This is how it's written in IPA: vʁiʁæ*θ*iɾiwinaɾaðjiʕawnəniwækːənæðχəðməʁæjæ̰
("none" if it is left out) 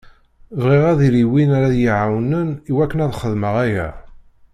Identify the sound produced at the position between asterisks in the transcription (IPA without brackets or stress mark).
ð